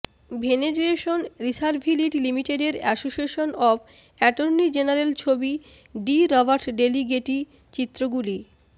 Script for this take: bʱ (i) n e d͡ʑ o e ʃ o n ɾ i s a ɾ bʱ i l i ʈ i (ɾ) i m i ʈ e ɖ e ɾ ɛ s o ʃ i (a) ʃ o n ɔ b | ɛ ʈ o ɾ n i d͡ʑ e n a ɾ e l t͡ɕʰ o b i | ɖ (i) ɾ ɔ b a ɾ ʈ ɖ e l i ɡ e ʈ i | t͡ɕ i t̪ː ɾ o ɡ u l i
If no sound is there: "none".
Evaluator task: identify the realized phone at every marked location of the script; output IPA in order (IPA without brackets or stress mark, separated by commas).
e, l, e, i